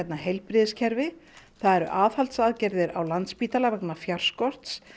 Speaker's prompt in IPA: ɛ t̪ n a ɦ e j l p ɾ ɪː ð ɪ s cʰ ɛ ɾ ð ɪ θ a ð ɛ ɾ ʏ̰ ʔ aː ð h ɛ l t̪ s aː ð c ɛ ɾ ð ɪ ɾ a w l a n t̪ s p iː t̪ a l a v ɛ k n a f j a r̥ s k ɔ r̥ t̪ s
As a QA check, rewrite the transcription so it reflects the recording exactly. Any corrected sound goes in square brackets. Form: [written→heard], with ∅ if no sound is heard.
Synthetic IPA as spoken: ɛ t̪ n a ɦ e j l p ɾ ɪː ð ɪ s cʰ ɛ ɾ [ð→v] ɪ θ a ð ɛ ɾ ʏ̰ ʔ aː ð h [ɛ→a] l t̪ s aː ð c ɛ ɾ ð ɪ ɾ a w l a n t̪ s p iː t̪ a l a v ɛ k n a f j a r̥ s k ɔ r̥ t̪ s